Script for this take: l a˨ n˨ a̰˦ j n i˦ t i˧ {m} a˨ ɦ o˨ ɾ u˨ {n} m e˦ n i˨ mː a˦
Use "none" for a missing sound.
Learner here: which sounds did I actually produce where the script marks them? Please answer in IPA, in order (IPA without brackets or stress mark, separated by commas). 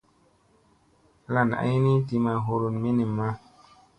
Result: m, n